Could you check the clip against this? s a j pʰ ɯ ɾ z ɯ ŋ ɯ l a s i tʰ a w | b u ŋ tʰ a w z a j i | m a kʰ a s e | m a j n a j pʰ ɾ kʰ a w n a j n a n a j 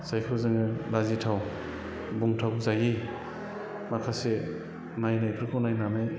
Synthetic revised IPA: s a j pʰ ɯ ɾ z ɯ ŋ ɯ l a z i tʰ a w | b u ŋ tʰ a w z a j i | m a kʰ a s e | n a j n a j pʰ ɾ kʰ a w n a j n a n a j